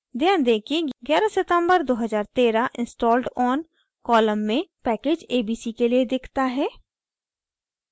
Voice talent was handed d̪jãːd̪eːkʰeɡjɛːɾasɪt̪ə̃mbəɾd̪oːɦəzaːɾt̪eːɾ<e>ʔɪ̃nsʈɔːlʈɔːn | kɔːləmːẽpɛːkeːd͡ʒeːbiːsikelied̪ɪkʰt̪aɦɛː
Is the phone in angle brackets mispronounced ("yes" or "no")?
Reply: yes